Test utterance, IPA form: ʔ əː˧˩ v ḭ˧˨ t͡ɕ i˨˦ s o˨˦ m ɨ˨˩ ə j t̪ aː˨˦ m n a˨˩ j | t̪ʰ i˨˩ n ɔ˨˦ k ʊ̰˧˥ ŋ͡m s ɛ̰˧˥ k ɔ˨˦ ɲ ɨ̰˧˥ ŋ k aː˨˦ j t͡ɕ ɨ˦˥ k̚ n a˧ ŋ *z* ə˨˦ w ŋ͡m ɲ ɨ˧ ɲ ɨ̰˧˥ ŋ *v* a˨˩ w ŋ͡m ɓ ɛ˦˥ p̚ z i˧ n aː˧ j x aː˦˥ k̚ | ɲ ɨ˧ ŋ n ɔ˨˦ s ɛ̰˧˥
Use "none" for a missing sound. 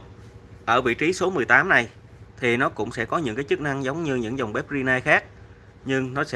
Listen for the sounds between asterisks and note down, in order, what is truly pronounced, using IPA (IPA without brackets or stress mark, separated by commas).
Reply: z, z